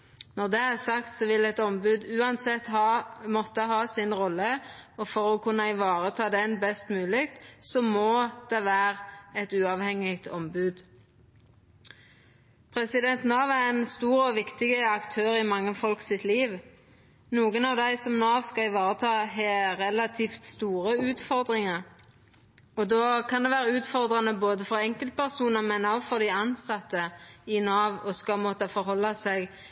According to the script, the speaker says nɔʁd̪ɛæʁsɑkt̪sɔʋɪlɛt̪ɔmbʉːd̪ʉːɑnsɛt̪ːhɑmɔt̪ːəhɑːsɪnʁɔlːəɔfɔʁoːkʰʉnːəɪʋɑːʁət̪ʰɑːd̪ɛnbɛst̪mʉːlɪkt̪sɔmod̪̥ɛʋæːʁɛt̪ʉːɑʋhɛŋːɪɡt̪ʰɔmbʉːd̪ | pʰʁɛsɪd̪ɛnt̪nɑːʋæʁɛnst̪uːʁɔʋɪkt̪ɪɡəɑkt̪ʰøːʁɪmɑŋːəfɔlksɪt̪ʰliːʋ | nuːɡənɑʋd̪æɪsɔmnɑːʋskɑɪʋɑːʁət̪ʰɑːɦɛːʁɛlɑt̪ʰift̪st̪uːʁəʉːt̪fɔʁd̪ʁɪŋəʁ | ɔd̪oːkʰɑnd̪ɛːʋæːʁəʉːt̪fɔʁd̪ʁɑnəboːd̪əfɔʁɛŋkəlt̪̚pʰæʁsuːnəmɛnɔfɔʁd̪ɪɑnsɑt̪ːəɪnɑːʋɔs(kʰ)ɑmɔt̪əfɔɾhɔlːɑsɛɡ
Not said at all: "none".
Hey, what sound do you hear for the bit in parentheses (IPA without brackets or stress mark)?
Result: k